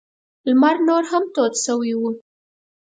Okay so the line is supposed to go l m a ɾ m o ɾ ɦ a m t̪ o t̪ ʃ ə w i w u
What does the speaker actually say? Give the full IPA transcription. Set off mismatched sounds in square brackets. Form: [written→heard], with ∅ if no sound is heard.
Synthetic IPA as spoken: l m a ɾ [m→n] o ɾ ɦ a m t̪ o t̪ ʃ ə w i w u